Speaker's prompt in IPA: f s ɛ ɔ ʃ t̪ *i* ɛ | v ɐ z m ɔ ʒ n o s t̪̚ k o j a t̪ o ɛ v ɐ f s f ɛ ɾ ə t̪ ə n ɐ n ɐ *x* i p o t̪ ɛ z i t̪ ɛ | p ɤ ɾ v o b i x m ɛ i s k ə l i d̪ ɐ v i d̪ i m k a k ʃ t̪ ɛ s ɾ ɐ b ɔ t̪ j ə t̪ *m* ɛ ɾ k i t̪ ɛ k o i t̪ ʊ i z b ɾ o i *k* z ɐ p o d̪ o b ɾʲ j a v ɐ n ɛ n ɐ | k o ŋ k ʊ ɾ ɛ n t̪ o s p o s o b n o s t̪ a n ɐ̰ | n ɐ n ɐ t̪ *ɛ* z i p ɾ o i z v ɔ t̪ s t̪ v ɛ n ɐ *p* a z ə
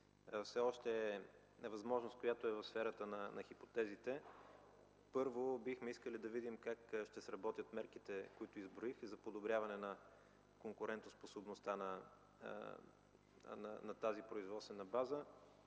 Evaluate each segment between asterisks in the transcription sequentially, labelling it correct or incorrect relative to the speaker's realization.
incorrect: ɛ, correct, correct, incorrect: x, incorrect: a, incorrect: b

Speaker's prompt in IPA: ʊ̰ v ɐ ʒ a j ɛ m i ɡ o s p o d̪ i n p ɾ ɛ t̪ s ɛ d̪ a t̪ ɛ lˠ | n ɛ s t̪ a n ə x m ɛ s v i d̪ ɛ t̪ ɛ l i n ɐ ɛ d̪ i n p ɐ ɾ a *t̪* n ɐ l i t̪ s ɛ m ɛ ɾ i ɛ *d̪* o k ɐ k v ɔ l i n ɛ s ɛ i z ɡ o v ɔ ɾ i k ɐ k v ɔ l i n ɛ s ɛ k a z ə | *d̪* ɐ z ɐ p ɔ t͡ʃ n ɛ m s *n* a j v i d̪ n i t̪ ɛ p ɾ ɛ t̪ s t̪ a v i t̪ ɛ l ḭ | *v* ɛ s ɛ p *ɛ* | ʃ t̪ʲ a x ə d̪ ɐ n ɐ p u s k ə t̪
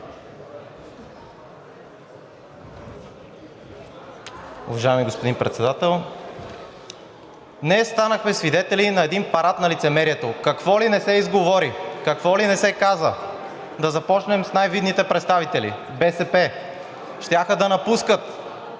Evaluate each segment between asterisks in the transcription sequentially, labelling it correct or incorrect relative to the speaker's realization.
correct, incorrect: t̪, correct, correct, incorrect: b, correct

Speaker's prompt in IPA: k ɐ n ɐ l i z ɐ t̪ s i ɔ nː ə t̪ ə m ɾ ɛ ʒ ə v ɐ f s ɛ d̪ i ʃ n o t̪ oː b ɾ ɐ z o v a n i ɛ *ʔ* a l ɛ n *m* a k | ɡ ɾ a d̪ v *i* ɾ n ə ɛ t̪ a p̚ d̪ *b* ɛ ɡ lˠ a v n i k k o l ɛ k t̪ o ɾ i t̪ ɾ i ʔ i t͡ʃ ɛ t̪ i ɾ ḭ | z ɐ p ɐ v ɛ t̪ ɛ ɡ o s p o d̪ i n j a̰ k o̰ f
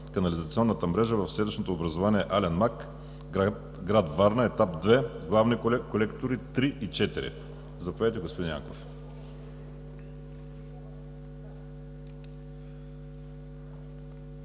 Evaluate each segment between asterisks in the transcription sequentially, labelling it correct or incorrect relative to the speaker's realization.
correct, correct, incorrect: a, incorrect: v

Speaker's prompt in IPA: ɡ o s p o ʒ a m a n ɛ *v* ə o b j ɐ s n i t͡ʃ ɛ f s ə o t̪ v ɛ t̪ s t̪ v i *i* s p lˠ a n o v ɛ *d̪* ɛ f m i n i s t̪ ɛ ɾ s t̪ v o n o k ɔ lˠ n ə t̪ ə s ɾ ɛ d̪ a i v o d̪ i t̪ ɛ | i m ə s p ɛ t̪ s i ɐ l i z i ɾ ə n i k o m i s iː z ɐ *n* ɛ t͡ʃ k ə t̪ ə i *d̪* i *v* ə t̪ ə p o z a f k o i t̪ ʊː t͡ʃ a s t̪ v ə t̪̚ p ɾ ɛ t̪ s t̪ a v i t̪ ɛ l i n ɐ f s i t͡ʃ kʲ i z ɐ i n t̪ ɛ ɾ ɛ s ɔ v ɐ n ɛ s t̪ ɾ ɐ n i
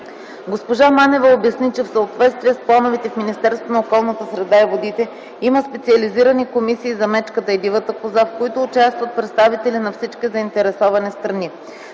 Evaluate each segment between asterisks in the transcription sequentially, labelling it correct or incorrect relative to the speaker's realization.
correct, incorrect: ɛ, incorrect: t̪, incorrect: m, correct, correct

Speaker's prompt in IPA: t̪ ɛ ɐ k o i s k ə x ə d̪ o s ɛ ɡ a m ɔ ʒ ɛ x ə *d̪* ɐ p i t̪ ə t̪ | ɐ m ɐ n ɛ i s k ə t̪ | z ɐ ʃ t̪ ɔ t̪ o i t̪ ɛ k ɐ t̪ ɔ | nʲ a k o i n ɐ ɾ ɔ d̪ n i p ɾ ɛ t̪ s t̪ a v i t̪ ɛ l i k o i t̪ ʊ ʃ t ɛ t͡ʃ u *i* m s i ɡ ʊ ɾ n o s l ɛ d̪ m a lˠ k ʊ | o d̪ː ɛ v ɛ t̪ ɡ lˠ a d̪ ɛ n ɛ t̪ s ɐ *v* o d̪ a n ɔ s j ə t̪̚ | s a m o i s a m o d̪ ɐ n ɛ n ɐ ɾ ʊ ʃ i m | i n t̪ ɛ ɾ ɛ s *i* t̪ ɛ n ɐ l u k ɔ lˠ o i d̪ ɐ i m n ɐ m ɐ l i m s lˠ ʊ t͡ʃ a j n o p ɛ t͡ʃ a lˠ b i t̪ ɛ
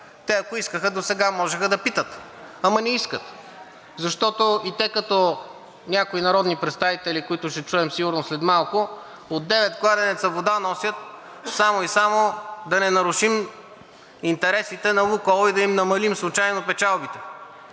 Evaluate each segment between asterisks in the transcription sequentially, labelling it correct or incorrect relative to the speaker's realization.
correct, incorrect: ɛ, correct, correct

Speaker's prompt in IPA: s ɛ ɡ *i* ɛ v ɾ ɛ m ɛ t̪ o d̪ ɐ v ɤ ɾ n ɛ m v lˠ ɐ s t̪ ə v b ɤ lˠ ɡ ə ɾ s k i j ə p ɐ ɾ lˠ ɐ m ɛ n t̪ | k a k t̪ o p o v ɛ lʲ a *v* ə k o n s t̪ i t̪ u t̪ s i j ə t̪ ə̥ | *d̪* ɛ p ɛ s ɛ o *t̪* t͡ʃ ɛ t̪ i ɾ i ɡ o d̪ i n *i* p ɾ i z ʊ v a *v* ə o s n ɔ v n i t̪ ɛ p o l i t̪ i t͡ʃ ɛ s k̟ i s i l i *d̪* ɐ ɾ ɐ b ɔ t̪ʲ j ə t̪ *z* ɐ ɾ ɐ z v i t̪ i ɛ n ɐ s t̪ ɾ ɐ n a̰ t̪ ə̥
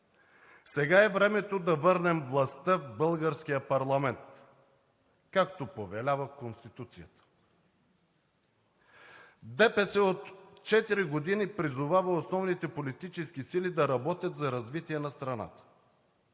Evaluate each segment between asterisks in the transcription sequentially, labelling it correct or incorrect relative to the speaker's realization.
incorrect: a, correct, correct, correct, correct, correct, correct, correct

